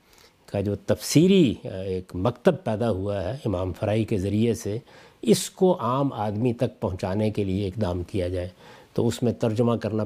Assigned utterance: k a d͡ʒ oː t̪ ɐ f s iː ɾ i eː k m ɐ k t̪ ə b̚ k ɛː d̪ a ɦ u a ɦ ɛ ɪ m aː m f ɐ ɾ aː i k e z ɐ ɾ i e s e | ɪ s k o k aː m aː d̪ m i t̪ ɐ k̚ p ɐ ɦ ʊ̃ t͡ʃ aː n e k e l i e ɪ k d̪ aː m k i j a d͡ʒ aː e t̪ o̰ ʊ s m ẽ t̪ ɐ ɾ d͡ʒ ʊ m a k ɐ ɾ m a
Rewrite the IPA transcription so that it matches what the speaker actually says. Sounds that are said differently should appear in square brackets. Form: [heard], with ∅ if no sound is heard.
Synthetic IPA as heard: k a d͡ʒ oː t̪ ɐ f s iː ɾ i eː k m ɐ k t̪ ə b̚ [p] ɛː d̪ a ɦ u a ɦ ɛ ɪ m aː m f ɐ ɾ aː i k e z ɐ ɾ i e s e | ɪ s k o [ʔ] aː m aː d̪ m i t̪ ɐ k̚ p ɐ ɦ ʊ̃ t͡ʃ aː n e k e l i e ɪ k d̪ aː m k i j a d͡ʒ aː e t̪ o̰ ʊ s m ẽ t̪ ɐ ɾ d͡ʒ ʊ m a k ɐ ɾ [n] a